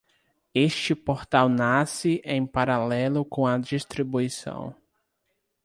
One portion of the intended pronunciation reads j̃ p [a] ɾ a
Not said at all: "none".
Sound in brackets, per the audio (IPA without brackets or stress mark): a